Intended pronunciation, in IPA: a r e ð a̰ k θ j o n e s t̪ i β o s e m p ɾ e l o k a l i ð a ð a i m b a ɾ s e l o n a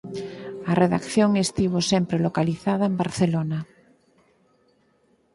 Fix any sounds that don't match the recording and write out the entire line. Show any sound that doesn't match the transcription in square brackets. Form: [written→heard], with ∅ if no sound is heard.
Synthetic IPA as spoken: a r e ð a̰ k θ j o [n→ŋ] e s t̪ i β o s e m p ɾ e l o k a l i [ð→θ] a ð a [i→e] m b a ɾ [s→θ] e l o n a